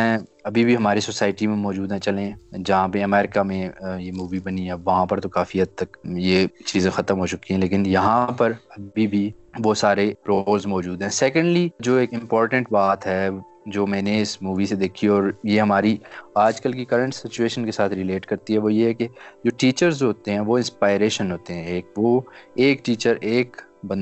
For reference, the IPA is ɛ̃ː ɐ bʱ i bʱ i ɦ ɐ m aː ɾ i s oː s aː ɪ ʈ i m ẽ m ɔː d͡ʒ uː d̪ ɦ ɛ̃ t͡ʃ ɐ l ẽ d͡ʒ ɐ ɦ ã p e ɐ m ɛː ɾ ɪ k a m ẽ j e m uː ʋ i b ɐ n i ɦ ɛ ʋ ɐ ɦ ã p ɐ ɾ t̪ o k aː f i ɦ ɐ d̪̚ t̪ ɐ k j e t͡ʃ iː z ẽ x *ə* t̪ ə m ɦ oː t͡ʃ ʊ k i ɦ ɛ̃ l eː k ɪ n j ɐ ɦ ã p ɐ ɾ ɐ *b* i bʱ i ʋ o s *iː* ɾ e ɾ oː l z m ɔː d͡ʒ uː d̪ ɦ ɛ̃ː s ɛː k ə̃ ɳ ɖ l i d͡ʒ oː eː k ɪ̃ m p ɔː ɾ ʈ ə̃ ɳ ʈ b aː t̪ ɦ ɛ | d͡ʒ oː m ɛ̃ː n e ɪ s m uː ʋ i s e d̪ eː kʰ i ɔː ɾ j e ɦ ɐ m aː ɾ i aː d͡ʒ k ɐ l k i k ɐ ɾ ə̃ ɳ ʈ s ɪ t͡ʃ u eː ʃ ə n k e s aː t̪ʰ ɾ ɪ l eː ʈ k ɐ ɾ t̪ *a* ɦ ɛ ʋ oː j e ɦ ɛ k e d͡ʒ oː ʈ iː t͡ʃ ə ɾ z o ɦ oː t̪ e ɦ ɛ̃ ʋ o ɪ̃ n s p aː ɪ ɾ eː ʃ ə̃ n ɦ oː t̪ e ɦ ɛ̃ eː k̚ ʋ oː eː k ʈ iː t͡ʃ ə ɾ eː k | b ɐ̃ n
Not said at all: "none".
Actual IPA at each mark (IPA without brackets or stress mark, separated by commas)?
ɐ, b, aː, i